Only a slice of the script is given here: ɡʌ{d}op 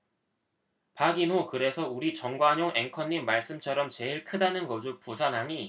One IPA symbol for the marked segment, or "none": d͡ʑ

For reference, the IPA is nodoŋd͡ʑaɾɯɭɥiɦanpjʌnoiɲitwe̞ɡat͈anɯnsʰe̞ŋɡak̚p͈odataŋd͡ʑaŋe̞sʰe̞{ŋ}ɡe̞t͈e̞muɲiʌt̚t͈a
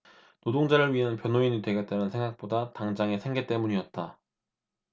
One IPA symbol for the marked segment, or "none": ŋ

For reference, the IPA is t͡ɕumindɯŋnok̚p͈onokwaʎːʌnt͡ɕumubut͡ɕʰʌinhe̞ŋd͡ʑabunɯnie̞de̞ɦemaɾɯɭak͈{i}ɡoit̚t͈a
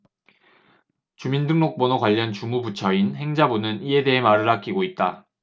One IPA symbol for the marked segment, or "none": i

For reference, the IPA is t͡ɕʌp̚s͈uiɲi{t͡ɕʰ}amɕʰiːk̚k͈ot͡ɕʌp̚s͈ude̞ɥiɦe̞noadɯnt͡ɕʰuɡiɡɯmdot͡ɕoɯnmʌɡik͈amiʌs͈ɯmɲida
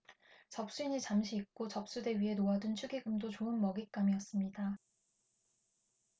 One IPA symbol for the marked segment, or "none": t͡ɕ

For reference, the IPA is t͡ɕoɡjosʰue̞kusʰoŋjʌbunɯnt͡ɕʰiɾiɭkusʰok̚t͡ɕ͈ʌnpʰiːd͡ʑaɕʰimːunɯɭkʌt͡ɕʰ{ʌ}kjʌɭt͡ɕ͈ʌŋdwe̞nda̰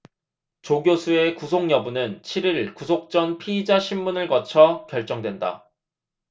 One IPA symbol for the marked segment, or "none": ʌ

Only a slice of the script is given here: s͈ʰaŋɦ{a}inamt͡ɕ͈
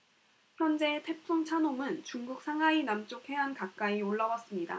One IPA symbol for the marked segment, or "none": a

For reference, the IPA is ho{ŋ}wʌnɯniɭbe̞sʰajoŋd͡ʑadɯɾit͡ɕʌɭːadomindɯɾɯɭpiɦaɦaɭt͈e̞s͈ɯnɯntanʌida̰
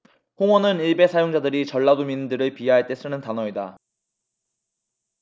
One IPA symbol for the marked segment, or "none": ŋ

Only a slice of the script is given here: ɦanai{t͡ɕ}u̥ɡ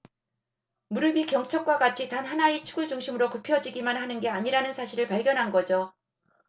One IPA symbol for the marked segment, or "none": t͡ɕʰ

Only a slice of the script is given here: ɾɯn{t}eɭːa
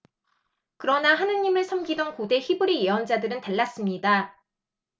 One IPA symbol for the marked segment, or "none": t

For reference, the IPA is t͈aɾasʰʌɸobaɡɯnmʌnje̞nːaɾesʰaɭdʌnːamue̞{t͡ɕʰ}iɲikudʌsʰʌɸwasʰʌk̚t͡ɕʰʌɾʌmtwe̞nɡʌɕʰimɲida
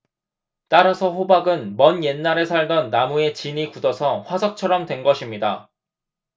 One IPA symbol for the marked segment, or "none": t͡ɕ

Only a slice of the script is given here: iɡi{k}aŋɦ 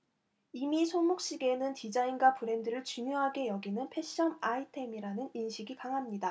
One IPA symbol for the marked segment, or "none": k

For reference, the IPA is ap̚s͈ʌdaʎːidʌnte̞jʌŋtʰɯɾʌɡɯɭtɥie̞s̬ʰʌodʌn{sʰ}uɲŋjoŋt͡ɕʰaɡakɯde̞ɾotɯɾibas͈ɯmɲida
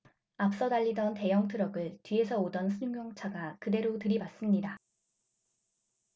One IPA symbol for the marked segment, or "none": sʰ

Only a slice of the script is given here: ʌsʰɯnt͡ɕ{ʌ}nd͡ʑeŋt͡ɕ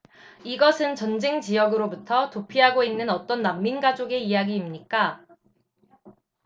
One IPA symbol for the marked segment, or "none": ʌ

